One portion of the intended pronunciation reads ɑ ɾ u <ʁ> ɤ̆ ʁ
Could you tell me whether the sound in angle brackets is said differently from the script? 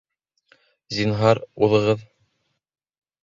yes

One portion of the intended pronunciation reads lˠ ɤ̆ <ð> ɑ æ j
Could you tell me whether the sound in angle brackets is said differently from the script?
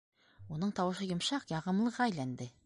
yes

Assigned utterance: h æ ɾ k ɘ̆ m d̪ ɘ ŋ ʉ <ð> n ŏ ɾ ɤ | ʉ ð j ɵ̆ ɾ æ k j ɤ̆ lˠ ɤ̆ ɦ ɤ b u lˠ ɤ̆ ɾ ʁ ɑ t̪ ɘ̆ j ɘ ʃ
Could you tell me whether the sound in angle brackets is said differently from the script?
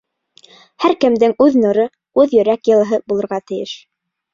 no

